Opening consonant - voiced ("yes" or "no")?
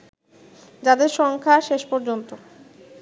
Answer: yes